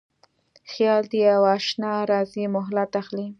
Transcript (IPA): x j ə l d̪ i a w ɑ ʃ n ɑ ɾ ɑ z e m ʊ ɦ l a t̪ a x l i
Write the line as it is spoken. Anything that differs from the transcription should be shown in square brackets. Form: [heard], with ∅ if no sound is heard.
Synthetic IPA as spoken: x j [ɑ] l d̪ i a w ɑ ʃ n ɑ ɾ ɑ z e m ʊ ɦ l a t̪ a x l i